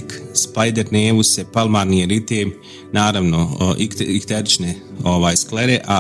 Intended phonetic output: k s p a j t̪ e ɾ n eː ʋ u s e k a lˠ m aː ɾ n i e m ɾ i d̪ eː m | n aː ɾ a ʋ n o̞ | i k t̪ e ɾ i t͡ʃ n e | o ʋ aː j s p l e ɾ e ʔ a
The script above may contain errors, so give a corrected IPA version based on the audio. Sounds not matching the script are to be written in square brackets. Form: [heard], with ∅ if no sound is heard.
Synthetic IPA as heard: k s p a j [d̪] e ɾ n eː ʋ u s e [p] a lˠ m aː ɾ n i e [∅] ɾ i [t̪] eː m | n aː ɾ a ʋ n o̞ | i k t̪ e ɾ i t͡ʃ n e | o ʋ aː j s [k] l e ɾ e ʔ a